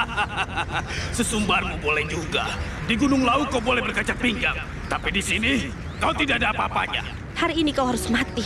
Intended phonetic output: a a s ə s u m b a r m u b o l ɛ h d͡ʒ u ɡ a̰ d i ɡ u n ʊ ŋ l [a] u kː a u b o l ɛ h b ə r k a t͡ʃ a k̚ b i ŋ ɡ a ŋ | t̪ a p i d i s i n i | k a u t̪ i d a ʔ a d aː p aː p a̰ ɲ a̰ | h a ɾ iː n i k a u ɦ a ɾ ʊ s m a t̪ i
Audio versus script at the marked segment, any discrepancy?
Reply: no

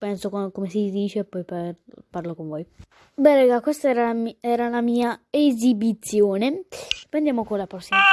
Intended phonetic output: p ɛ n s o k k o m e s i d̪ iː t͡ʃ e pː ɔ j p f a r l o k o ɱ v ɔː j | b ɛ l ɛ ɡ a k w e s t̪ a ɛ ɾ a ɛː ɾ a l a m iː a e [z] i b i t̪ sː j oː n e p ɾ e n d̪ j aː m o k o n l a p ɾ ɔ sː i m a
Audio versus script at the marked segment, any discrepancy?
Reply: no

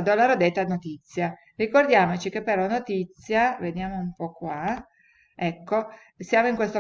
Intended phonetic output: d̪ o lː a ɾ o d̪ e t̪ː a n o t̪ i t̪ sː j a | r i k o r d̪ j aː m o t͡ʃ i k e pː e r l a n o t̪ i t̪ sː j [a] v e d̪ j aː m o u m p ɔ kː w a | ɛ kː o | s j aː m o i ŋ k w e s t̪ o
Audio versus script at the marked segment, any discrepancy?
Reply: no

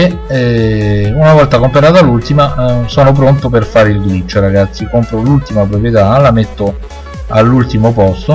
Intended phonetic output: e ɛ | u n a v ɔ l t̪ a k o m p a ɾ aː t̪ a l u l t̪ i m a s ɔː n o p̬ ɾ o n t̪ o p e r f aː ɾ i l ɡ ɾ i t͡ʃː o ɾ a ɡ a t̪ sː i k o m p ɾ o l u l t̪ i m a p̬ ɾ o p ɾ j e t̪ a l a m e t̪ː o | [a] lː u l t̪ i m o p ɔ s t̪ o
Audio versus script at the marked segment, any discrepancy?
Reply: no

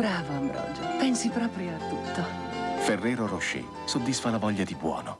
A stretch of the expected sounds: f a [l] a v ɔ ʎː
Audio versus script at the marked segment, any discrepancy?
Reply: no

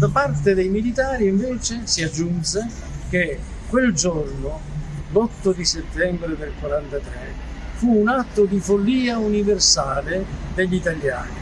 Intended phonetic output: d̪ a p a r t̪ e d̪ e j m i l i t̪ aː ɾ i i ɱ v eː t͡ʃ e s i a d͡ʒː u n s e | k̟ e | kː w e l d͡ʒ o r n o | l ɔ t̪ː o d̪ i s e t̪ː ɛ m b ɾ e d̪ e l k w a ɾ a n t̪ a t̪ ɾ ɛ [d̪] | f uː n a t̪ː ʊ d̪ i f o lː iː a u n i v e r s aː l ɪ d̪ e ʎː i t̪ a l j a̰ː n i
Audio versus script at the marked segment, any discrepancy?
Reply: yes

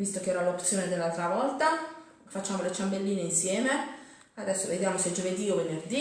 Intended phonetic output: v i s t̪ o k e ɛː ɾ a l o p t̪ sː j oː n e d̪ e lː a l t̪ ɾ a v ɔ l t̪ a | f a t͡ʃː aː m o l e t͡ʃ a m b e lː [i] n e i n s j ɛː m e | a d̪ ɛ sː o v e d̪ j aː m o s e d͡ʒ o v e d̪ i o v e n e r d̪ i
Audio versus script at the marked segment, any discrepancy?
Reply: yes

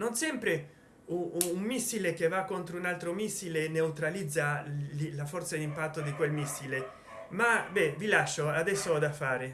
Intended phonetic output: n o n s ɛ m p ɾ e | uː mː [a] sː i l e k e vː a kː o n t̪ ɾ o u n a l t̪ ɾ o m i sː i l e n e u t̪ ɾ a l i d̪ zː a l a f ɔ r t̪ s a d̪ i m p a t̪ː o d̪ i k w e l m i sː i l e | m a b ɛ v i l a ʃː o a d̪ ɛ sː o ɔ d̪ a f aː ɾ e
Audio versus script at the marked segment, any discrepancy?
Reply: yes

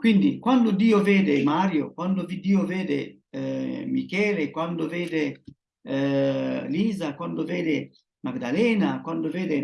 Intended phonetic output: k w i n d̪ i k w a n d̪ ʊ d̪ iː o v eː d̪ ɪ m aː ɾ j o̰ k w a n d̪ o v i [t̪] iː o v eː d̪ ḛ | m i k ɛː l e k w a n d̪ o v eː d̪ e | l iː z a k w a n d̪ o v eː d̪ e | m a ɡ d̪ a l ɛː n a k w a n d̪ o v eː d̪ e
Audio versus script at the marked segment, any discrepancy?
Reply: yes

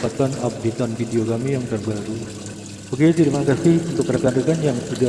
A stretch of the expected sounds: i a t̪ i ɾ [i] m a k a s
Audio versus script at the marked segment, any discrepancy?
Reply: no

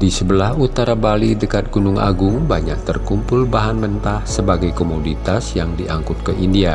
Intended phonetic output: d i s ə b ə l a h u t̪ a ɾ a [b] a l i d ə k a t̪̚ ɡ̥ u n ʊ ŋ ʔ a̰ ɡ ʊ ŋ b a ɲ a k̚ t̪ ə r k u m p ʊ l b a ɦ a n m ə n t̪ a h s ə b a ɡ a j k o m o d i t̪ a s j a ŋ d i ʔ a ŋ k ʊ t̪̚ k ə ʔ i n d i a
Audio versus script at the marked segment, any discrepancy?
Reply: no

